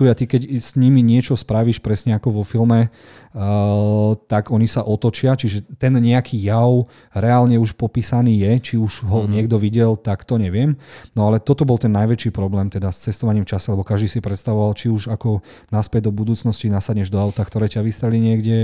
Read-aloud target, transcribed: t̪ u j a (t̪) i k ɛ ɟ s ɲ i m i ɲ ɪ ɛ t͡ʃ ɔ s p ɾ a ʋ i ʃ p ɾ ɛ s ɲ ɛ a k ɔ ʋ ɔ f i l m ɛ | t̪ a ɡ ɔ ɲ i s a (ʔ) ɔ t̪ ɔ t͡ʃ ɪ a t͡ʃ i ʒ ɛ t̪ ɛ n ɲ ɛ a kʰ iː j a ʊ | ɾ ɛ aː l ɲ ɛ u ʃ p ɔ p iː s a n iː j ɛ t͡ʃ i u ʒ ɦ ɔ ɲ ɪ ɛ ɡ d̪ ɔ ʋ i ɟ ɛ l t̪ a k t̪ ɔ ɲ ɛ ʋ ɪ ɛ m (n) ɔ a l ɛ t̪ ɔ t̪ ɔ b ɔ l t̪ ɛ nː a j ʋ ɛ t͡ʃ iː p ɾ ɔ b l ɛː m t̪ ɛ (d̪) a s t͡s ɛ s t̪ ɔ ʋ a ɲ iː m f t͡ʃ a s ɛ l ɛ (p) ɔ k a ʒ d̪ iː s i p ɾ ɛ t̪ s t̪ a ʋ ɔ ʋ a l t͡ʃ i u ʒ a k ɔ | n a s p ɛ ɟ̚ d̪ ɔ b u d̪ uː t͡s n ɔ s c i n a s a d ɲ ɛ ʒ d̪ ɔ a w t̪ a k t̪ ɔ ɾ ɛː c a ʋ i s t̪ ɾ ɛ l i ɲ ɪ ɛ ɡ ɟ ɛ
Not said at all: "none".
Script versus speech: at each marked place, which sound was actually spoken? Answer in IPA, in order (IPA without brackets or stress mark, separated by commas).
t̪, ʔ, n, d̪, b